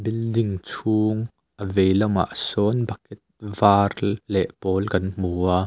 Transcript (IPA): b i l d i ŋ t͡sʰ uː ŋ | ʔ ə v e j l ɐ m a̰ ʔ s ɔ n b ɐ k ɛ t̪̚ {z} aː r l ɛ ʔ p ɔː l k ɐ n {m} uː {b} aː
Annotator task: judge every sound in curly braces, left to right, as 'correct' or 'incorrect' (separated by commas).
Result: incorrect, correct, incorrect